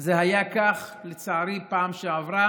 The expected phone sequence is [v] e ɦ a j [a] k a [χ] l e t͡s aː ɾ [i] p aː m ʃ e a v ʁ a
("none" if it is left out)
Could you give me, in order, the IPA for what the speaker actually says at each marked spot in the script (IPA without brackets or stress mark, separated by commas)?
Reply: z, a, χ, i